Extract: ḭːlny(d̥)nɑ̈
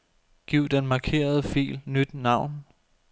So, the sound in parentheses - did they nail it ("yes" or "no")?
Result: yes